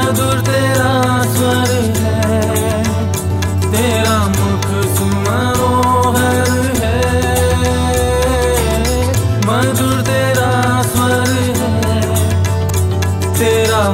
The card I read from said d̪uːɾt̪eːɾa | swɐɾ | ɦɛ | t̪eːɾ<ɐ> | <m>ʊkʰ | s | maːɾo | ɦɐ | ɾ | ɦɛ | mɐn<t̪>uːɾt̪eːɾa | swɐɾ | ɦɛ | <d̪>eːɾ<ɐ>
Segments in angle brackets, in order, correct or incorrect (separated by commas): incorrect, correct, incorrect, incorrect, incorrect